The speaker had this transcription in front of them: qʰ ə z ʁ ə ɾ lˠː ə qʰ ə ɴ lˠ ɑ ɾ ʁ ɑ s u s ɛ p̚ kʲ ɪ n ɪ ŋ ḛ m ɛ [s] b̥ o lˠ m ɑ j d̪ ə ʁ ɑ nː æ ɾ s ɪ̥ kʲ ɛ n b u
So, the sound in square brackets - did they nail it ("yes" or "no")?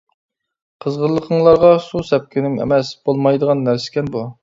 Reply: yes